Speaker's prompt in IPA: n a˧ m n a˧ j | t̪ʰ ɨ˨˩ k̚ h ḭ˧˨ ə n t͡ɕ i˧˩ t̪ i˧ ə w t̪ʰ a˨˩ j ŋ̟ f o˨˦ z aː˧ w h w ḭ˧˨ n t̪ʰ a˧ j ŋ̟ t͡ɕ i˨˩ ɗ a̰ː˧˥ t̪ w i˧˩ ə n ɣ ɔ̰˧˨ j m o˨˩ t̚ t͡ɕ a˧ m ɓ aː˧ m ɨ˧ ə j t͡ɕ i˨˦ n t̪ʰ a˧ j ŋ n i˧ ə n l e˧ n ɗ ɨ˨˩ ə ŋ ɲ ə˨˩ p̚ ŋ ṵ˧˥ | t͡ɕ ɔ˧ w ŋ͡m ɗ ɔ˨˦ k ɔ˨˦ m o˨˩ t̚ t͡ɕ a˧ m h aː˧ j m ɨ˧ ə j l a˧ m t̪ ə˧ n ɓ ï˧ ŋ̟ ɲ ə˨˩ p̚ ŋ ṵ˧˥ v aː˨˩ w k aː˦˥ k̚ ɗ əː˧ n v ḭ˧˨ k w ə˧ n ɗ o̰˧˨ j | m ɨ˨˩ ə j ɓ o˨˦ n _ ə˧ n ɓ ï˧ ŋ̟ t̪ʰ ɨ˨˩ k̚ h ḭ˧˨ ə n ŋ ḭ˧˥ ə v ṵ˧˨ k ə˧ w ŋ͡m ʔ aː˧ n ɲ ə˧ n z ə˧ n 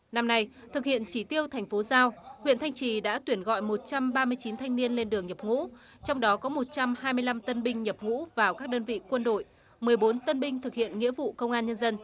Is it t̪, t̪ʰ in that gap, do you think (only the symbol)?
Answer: t̪